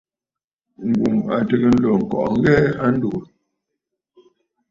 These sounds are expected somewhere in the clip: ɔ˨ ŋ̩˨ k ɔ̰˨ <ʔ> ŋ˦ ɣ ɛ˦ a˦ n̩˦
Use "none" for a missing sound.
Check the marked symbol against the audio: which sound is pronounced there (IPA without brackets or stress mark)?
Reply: ʔ